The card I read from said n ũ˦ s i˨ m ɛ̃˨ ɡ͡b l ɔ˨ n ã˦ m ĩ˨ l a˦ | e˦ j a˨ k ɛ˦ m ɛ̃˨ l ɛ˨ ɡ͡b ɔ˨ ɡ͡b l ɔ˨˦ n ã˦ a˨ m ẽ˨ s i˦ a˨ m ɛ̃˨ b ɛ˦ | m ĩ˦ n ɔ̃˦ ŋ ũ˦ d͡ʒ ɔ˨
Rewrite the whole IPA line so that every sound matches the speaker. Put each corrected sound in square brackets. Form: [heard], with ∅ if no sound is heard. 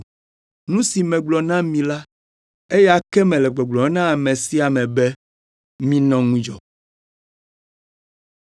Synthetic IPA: n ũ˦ s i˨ m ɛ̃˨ ɡ͡b l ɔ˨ n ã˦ m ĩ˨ l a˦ | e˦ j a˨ k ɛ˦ m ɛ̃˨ l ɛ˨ ɡ͡b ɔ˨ ɡ͡b l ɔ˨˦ n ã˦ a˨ m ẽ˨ s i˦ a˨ m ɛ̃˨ b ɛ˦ | m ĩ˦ n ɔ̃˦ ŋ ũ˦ d͡ʒ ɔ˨